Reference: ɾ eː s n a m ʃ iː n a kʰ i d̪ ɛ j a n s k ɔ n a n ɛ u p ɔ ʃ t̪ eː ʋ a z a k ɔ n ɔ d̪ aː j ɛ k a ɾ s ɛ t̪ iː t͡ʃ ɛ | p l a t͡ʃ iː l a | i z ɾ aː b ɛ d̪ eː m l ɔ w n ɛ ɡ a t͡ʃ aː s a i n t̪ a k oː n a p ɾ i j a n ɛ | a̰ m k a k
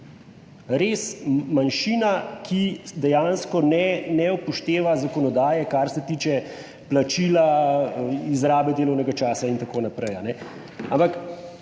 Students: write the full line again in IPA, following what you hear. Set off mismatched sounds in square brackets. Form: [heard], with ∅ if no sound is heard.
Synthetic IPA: ɾ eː s [m] a [n] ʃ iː n a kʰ i d̪ ɛ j a n s k ɔ n [ɛ] n ɛ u p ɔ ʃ t̪ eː ʋ a z a k ɔ n ɔ d̪ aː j ɛ k a ɾ s ɛ t̪ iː t͡ʃ ɛ | p l a t͡ʃ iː l a | i z ɾ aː b ɛ d̪ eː [∅] l ɔ w n ɛ ɡ a t͡ʃ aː s a i n t̪ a k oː n a p ɾ [ɛ] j a n ɛ | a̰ m [p] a k